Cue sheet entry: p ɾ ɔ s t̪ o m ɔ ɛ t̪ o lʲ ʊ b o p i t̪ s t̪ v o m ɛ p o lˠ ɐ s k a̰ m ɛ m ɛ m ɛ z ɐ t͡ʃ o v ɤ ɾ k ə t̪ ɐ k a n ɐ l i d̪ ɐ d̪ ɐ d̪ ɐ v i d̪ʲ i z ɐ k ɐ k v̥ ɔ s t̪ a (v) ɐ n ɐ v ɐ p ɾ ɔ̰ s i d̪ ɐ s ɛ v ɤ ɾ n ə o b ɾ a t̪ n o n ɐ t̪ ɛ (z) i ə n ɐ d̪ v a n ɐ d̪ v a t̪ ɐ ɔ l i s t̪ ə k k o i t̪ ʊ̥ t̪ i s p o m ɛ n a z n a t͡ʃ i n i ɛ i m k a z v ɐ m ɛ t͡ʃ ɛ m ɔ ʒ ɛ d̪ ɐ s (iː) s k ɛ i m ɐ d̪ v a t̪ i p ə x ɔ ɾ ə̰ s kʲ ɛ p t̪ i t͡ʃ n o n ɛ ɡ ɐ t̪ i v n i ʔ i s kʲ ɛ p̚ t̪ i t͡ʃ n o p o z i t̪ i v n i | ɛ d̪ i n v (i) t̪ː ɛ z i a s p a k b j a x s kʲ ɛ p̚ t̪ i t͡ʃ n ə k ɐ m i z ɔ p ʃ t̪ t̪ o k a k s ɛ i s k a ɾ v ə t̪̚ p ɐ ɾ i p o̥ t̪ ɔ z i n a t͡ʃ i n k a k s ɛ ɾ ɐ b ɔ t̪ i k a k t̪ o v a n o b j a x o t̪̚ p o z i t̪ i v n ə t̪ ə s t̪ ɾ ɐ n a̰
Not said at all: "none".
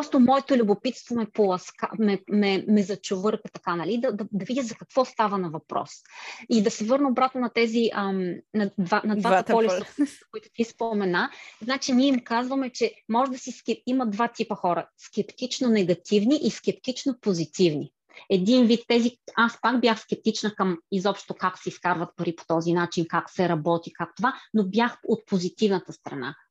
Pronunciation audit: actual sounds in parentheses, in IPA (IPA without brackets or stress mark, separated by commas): v, z, i, i